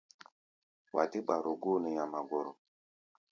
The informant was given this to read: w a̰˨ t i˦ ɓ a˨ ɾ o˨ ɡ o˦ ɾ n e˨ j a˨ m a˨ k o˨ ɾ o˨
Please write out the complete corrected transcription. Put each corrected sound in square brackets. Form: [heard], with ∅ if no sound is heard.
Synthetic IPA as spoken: w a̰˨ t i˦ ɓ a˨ ɾ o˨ ɡ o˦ [∅] n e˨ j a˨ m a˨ [ɡ] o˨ ɾ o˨